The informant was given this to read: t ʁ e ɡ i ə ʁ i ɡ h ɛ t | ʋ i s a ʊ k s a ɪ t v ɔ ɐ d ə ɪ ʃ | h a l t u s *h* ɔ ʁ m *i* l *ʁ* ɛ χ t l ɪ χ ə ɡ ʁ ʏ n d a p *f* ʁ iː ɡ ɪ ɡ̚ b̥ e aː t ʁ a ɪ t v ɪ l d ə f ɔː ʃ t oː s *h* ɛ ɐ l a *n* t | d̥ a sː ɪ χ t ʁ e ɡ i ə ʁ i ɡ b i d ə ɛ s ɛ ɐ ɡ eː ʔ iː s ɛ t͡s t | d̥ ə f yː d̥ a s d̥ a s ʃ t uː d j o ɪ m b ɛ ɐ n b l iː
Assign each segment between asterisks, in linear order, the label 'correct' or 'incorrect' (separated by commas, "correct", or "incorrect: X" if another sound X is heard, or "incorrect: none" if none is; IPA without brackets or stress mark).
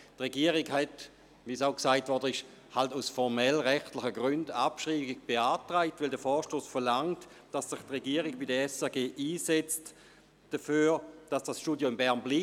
incorrect: f, incorrect: ɛ, correct, incorrect: ʃ, incorrect: f, incorrect: ŋ